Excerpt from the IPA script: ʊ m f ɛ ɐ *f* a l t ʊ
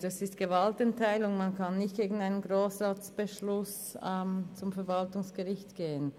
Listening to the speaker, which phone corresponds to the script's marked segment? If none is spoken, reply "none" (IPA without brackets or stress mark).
v